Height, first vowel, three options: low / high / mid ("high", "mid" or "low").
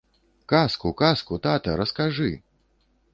low